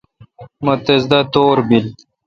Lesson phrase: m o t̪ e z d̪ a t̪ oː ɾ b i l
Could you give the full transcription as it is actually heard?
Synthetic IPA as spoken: m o t̪ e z d̪ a t̪ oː ɾ b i l